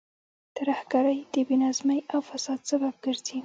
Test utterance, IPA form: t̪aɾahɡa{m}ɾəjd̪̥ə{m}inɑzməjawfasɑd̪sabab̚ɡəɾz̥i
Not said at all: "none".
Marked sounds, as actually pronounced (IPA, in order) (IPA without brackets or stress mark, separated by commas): none, b